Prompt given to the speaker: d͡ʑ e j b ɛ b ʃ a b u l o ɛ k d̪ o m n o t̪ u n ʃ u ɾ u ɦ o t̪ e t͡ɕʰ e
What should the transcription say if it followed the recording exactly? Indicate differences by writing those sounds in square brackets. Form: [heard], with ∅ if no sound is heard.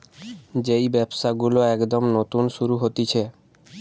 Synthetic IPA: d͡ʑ e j b ɛ b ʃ a [ɡ] u l o ɛ k d̪ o m n o t̪ u n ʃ u ɾ u ɦ o t̪ [i] t͡ɕʰ e

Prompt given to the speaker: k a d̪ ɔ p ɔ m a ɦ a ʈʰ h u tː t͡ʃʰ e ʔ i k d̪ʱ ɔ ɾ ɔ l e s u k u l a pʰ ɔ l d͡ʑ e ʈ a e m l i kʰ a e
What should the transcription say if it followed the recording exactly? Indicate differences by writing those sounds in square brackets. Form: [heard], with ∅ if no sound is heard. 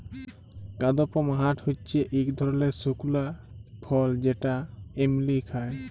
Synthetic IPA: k a d̪ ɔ p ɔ m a ɦ a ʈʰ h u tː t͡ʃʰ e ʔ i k d̪ʱ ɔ ɾ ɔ l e s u k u l a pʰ ɔ l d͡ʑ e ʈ a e m l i kʰ a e

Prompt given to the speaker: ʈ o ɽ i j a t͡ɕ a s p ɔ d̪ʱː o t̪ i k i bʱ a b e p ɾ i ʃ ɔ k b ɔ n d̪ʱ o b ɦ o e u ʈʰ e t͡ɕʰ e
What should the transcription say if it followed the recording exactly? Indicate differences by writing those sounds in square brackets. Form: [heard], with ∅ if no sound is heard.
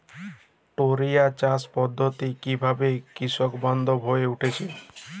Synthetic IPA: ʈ o [ɾ] i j a t͡ɕ a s p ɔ d̪ʱː o t̪ i k i bʱ a b e [k] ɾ i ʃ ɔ k b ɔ n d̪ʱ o b ɦ o e u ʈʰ e t͡ɕʰ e

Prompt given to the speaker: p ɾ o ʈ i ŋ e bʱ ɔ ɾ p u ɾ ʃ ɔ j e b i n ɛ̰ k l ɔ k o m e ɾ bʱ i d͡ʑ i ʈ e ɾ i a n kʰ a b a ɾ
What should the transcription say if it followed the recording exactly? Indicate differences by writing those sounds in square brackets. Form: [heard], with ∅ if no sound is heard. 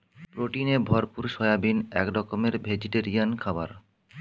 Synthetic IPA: p ɾ o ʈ i [n] e bʱ ɔ ɾ p u ɾ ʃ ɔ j [a] b i n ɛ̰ k [ɾ] ɔ k o m e ɾ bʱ [e] d͡ʑ i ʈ e ɾ i a n kʰ a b a ɾ

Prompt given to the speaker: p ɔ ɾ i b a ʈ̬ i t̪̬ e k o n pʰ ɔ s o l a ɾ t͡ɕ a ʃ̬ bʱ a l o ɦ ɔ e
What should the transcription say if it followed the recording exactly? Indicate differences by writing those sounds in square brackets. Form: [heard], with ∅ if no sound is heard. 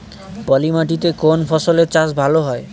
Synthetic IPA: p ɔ [l] i [m] a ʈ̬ i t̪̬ e k o n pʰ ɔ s o l [e] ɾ t͡ɕ a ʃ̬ bʱ a l o ɦ ɔ e

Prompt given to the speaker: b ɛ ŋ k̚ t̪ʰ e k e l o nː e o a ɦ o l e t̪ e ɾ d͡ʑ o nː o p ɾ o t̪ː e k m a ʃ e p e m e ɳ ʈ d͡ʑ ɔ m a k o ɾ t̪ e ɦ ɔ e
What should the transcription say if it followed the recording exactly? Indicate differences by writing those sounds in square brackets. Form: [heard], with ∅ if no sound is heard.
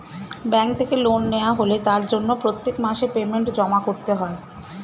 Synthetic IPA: b ɛ ŋ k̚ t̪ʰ e k e l o nː e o a ɦ o l e t̪ [a] ɾ d͡ʑ o nː o p ɾ o t̪ː e k m a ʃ e p e m e ɳ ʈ d͡ʑ ɔ m a k o ɾ t̪ e ɦ ɔ e

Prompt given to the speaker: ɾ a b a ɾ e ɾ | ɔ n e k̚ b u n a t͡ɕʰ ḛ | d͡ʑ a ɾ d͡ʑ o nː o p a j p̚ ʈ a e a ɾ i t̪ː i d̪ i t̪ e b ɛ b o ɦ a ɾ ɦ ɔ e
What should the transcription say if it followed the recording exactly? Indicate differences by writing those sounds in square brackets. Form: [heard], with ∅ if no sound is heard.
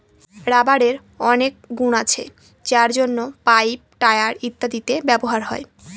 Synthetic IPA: ɾ a b a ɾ e ɾ | ɔ n e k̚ [ɡ] u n a t͡ɕʰ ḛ | d͡ʑ a ɾ d͡ʑ o nː o p a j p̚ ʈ a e a ɾ i t̪ː [a] d̪ i t̪ e b ɛ b o ɦ a ɾ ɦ ɔ e

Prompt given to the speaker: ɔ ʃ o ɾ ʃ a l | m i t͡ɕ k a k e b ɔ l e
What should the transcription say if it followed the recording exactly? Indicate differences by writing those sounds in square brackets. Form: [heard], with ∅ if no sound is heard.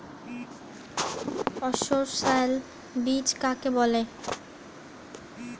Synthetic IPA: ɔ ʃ o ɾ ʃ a l | [b] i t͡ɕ k a k e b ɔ l e

